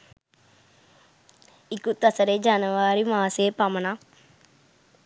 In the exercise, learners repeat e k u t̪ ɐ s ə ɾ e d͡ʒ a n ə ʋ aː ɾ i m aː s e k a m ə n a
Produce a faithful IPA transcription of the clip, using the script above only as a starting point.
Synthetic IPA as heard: i k u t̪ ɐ s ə ɾ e d͡ʒ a n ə ʋ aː ɾ i m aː s e p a m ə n a